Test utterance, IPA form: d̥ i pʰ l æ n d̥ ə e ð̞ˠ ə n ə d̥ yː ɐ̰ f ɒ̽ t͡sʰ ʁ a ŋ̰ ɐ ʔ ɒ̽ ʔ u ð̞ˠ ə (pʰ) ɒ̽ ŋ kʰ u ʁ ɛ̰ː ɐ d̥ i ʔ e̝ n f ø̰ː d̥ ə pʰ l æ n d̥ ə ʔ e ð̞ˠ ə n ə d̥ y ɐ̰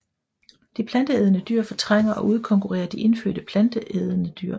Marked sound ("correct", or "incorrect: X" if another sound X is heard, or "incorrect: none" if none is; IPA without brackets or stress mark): incorrect: kʰ